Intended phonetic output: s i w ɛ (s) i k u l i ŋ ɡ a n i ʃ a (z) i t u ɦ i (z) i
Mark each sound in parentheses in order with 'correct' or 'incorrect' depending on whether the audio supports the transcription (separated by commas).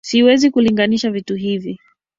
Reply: incorrect, incorrect, incorrect